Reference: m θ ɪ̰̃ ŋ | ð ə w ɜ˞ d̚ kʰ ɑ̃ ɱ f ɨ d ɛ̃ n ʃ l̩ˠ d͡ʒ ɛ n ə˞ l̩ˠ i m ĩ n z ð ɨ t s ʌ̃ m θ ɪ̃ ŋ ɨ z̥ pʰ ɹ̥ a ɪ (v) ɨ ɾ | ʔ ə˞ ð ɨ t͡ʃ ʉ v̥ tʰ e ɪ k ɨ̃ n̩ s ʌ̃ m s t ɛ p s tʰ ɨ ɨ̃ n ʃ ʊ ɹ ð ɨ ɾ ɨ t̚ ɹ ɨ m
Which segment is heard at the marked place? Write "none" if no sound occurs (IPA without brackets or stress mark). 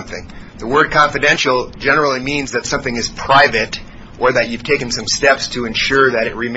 v